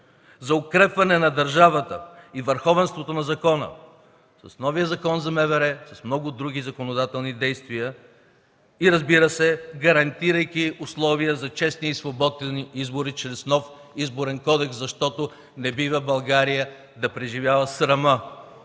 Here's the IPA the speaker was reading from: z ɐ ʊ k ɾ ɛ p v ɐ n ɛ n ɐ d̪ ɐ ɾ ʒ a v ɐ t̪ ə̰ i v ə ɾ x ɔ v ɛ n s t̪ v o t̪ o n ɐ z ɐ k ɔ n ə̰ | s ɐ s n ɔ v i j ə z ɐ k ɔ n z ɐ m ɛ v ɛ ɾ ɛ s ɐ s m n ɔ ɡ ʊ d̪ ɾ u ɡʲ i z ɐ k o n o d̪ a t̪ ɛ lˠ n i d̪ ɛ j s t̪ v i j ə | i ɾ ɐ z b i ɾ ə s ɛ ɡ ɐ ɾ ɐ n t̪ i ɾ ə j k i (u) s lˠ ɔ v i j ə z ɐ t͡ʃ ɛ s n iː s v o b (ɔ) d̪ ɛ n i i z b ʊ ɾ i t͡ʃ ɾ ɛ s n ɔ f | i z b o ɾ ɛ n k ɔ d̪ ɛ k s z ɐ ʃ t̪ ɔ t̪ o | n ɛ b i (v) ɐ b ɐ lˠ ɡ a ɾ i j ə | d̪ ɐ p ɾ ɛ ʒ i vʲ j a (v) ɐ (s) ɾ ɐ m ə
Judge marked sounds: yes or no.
no, yes, yes, yes, yes

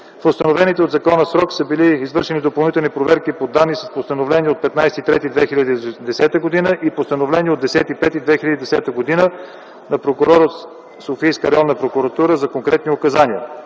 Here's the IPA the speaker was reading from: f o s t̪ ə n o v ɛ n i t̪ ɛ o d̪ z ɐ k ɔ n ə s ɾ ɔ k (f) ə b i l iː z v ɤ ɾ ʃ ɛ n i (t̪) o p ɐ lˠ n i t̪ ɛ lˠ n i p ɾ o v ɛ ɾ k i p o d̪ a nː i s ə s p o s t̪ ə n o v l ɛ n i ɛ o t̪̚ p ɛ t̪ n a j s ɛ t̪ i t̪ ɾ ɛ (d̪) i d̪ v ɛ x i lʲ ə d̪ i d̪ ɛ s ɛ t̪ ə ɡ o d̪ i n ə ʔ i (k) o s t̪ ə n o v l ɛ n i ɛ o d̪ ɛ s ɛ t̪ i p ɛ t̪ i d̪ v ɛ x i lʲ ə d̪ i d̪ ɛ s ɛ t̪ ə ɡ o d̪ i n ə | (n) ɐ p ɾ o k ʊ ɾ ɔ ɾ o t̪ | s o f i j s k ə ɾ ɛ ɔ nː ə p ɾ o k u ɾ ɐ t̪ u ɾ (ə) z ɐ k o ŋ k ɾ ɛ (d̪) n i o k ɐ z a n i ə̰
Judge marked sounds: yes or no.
no, no, no, no, yes, yes, no

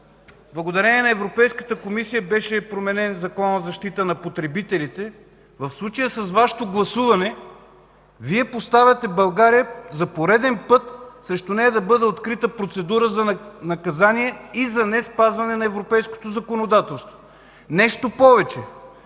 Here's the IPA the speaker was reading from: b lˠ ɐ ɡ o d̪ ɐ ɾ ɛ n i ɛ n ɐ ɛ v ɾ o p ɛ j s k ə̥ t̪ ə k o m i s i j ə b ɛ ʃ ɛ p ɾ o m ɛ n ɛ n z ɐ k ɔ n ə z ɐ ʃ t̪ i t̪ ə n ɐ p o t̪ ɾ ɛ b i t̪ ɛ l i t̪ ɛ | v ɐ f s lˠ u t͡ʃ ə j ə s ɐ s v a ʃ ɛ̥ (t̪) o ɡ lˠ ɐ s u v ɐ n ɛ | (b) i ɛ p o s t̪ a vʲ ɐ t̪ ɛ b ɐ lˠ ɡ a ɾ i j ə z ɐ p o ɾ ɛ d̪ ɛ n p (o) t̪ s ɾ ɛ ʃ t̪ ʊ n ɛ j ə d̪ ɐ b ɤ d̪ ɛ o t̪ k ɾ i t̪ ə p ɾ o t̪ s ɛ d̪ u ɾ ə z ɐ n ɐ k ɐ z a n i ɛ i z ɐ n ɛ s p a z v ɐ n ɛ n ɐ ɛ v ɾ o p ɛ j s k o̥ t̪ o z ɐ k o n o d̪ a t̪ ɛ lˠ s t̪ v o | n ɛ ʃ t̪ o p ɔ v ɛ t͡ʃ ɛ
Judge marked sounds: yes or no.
yes, no, no

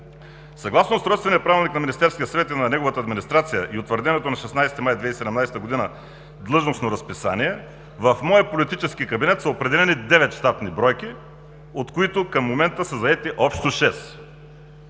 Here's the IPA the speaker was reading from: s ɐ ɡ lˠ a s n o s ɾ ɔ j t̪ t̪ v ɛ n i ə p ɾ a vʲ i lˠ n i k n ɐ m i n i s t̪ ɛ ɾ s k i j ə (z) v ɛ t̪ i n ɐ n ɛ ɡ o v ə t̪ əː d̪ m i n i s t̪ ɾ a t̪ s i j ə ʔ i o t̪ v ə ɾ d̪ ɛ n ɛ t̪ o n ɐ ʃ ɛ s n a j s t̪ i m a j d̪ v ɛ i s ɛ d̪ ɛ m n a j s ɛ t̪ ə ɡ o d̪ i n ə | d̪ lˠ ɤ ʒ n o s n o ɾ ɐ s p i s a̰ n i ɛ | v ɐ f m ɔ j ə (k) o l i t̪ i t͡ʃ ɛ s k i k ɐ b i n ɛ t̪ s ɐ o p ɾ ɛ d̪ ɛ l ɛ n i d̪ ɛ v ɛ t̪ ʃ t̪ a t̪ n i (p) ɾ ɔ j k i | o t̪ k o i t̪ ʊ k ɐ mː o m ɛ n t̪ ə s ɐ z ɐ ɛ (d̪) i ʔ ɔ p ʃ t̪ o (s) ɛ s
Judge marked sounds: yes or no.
no, no, no, no, no

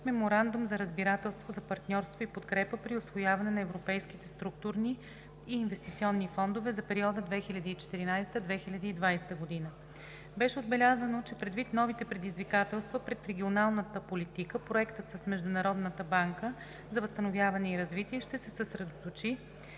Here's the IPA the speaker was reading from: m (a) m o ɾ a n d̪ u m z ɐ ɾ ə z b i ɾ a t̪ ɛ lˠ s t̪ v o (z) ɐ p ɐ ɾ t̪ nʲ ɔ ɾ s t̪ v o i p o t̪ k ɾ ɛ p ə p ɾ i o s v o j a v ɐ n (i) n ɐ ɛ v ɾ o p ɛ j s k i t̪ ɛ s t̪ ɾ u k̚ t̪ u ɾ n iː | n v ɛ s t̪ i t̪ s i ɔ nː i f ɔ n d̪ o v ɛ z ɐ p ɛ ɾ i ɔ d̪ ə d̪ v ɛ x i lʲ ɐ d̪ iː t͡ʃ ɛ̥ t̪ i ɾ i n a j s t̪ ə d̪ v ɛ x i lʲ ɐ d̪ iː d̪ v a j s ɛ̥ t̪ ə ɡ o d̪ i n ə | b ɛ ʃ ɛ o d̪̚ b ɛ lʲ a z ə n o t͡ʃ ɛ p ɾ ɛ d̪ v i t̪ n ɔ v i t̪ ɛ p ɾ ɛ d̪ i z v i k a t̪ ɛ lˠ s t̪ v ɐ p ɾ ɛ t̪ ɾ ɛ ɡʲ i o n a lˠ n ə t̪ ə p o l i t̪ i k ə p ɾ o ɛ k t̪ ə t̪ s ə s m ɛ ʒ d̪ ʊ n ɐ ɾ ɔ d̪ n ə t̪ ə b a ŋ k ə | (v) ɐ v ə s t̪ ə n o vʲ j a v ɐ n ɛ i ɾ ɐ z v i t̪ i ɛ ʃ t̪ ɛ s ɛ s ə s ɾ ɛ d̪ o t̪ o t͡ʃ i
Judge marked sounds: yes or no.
no, yes, no, no

